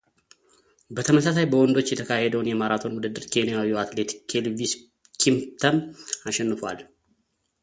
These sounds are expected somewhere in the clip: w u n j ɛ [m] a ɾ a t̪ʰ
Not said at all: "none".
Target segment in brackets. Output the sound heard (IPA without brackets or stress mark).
m